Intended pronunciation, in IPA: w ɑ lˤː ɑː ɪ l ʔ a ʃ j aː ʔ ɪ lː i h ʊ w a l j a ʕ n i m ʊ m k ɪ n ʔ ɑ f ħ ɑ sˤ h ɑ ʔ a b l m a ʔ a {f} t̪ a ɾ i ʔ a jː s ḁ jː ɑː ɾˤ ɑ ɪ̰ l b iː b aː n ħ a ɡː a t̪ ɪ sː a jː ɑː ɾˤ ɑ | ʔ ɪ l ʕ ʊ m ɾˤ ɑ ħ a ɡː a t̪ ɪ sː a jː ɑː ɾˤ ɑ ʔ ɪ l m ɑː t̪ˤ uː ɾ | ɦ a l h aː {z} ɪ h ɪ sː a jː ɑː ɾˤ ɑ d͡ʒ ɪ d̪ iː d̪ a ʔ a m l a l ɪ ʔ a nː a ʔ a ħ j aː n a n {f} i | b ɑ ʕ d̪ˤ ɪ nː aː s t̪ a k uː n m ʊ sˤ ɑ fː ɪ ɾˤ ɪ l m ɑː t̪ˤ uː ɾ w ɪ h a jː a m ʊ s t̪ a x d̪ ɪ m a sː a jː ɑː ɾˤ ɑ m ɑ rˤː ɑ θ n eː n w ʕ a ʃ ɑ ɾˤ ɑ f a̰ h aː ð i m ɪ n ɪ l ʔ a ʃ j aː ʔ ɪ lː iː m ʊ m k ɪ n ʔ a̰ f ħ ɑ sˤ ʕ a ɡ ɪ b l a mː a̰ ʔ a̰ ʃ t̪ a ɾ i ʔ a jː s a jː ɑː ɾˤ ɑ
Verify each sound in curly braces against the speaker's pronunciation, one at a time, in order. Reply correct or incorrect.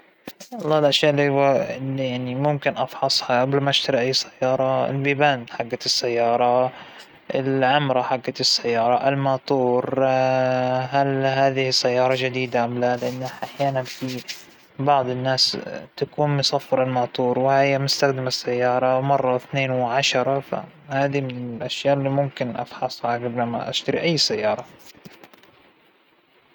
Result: incorrect: ʃ, incorrect: ð, correct

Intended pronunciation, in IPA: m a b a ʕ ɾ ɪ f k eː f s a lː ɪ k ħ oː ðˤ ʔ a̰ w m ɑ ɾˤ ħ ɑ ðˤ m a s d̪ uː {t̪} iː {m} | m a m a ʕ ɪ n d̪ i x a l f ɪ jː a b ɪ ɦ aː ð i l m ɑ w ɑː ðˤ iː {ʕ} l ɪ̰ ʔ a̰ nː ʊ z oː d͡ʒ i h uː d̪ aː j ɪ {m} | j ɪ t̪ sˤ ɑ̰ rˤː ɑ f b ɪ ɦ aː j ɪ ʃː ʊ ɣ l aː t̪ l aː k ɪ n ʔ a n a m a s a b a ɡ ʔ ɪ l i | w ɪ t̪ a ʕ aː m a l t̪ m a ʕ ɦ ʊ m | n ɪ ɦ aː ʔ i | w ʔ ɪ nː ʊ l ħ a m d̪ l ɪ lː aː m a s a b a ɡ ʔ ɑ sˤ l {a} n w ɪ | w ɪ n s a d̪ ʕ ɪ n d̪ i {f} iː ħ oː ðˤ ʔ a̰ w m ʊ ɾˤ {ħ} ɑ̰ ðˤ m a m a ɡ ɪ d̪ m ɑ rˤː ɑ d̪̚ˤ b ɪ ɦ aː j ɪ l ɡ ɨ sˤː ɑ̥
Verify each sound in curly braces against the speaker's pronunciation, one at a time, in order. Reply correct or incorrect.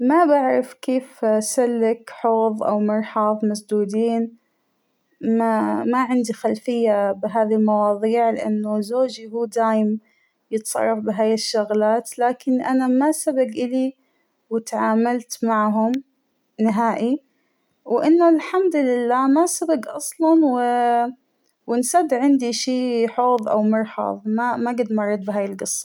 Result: incorrect: d̪, incorrect: n, correct, correct, incorrect: ɑ, incorrect: ʃ, correct

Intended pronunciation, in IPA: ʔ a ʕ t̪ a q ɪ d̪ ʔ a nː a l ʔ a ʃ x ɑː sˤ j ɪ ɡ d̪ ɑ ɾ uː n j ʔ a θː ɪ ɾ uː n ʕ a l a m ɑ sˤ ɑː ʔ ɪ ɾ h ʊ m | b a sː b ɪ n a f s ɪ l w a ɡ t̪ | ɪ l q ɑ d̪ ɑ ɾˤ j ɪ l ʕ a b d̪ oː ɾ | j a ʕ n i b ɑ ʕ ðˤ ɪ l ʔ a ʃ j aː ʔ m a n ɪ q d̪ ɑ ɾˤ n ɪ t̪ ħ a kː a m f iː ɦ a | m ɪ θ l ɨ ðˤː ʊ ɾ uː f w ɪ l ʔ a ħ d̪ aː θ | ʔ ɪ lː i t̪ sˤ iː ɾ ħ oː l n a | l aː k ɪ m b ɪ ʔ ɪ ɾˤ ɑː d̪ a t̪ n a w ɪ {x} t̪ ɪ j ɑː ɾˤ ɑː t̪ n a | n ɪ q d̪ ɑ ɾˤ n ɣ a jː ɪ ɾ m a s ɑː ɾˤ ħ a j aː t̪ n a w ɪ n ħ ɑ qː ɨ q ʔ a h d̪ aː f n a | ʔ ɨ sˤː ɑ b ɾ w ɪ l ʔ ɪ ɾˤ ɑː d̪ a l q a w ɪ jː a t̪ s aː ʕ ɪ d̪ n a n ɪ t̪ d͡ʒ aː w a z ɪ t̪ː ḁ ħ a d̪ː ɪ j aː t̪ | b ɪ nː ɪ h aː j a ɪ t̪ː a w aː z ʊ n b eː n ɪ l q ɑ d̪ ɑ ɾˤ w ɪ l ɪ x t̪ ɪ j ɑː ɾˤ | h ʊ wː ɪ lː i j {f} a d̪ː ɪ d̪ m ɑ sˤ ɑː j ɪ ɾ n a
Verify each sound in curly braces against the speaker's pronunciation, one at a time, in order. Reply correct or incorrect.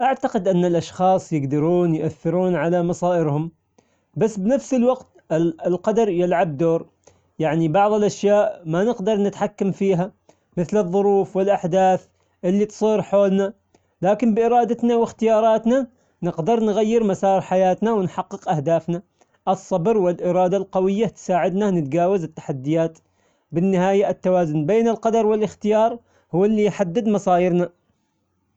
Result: correct, incorrect: ħ

